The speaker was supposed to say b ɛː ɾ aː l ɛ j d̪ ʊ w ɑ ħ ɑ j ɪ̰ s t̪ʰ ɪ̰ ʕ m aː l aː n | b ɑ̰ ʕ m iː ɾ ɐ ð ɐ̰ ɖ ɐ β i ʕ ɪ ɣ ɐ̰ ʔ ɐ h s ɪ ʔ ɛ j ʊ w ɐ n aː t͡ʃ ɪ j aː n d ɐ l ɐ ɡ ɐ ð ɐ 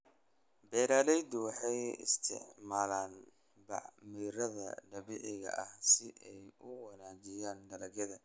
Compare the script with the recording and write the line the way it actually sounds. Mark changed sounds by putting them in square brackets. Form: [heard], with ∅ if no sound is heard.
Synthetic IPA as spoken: b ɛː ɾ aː l ɛ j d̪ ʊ w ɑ ħ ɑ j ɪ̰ s t̪ʰ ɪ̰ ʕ m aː l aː n | b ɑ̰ ʕ m iː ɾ ɐ ð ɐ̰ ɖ ɐ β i ʕ ɪ ɣ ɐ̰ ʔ ɐ h s ɪ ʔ ɛ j ʊ w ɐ n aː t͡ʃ ɪ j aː n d ɐ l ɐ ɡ ɐ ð ɐ